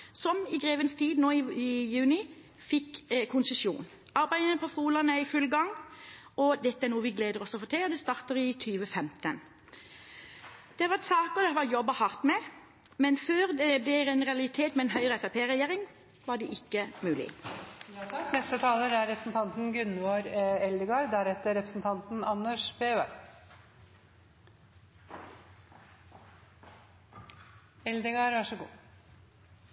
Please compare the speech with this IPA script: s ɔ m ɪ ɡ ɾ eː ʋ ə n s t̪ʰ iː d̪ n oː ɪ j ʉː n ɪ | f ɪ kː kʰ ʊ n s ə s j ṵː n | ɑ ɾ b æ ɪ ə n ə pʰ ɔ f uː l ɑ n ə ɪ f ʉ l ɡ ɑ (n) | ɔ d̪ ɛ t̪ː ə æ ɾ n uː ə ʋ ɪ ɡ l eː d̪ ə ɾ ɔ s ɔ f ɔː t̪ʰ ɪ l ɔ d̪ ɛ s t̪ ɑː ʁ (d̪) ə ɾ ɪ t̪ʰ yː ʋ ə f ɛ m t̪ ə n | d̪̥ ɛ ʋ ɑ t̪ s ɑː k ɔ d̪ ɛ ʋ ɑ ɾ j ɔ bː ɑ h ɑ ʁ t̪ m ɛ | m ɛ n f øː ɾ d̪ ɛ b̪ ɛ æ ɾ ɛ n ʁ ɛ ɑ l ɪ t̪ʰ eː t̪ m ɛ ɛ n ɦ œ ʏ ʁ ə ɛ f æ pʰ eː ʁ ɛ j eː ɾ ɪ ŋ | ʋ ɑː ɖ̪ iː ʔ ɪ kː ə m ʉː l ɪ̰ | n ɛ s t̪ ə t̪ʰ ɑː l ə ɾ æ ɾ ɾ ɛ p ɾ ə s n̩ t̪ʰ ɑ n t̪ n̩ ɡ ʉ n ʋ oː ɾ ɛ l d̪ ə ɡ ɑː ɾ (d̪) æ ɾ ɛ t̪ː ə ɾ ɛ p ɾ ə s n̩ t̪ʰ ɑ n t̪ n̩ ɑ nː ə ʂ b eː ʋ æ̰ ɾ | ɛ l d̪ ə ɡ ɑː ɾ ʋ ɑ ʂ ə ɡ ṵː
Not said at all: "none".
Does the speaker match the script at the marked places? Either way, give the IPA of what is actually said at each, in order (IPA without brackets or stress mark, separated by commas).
ŋ, t̪, d̪